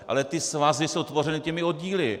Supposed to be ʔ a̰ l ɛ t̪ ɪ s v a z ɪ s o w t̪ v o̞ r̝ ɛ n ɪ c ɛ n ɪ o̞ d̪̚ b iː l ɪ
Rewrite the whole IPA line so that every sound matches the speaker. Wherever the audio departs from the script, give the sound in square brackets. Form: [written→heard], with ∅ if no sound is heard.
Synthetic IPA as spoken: ʔ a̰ l ɛ t̪ ɪ s v a z ɪ s o w t̪ v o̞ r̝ ɛ n ɪ c ɛ [n→m] ɪ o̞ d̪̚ [b→ɟ] iː l ɪ